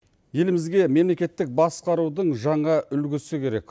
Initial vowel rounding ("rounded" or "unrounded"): unrounded